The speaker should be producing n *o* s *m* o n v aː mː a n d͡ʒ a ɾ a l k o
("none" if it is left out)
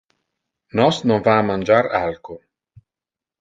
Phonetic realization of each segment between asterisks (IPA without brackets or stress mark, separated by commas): ɔ, n